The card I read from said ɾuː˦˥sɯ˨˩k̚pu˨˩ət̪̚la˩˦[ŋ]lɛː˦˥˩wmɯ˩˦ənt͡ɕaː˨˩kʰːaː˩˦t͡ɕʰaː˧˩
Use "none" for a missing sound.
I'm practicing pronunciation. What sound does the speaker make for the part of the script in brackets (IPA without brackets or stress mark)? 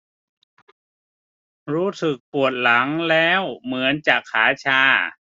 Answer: ŋ